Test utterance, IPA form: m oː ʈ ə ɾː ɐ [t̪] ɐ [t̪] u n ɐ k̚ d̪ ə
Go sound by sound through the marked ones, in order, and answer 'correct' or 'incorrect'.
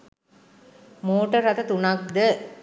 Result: correct, correct

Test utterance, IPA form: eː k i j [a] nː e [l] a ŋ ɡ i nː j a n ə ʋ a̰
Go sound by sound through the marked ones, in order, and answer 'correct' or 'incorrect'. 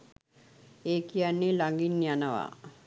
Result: correct, correct

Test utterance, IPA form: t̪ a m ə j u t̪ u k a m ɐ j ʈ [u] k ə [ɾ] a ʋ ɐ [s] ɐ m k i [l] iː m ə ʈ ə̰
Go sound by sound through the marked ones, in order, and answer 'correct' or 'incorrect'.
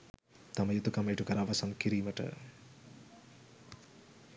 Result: correct, correct, correct, incorrect: ɾ

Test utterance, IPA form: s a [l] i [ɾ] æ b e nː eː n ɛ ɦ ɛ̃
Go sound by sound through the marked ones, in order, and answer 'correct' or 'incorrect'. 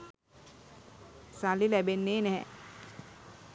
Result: correct, incorrect: l

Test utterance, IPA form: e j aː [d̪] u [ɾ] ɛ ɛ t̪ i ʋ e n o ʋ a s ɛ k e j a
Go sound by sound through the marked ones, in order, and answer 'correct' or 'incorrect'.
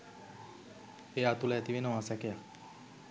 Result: incorrect: t̪, incorrect: l

